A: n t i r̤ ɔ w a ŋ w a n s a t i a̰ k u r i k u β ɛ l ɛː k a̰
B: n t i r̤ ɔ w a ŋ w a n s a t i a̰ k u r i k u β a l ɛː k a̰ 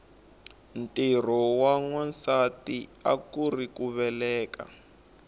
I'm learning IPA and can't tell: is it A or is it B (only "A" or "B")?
A